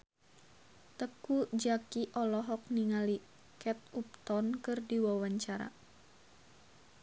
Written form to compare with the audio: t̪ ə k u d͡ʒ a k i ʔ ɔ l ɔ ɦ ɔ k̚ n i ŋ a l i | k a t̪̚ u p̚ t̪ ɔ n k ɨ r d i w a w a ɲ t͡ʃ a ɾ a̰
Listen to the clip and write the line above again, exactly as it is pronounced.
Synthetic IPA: t̪ ə k u d͡ʒ a k i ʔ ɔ l ɔ ɦ ɔ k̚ n i ŋ a l i | k ɛ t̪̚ u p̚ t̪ ɔ n k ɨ r d i w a w a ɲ t͡ʃ a ɾ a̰